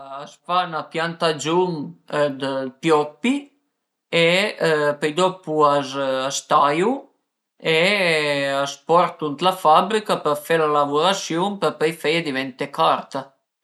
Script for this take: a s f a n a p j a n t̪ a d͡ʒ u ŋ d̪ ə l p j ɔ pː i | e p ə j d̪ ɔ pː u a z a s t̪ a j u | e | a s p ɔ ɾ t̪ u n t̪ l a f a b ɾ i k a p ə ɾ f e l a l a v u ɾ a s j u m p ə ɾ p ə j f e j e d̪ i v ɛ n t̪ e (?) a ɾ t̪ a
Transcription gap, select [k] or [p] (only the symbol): k